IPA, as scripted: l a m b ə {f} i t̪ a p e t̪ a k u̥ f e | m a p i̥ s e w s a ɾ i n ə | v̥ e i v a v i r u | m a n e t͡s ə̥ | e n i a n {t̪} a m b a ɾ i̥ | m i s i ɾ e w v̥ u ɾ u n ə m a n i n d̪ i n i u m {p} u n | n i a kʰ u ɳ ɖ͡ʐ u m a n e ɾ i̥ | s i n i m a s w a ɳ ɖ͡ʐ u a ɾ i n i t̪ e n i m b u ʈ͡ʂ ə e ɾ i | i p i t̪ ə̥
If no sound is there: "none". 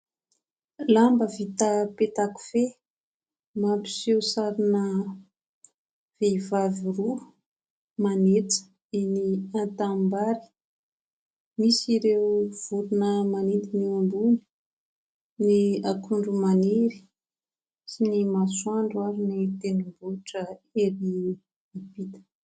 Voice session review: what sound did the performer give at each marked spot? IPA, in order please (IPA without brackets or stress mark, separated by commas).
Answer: v, t̪, b